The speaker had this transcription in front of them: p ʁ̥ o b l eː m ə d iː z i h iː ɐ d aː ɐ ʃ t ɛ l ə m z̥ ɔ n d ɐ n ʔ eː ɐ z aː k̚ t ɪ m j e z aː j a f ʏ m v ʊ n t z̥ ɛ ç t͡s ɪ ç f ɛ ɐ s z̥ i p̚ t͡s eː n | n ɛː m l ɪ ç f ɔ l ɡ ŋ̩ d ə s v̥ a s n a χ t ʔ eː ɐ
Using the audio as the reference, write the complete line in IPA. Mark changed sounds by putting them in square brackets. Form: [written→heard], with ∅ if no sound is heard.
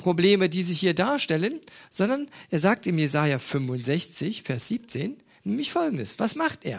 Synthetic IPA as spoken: p ʁ̥ o b l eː m ə d iː z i h iː ɐ d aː ɐ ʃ t ɛ l ə [m→n] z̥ ɔ n d ɐ n ʔ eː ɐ z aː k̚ t ɪ m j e z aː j a f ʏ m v ʊ n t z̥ ɛ ç t͡s ɪ ç f ɛ ɐ s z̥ [i→iː] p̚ t͡s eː n | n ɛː m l ɪ ç f ɔ l ɡ ŋ̩ d ə s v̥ a s [n→m] a χ t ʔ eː ɐ